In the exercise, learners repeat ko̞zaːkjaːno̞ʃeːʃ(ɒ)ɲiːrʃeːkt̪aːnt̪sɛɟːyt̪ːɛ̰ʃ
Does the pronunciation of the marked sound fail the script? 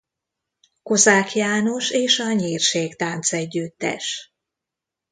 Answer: no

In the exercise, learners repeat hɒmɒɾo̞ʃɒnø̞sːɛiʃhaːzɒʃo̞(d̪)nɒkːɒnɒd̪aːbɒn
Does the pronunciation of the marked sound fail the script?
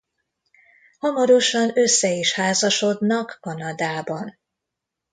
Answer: no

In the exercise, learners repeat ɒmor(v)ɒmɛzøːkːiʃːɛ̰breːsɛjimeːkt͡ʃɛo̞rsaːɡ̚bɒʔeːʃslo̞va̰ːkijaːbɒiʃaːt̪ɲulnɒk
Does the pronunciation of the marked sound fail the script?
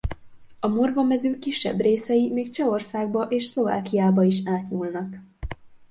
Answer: no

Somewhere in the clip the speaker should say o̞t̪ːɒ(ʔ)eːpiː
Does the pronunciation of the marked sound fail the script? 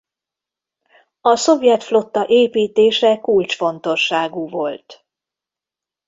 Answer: no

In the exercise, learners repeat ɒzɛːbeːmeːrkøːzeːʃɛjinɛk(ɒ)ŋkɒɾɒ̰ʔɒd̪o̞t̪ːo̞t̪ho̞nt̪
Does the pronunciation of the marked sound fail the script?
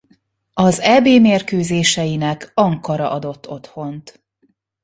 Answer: no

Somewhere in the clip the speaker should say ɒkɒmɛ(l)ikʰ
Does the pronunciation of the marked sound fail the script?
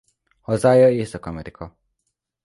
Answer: yes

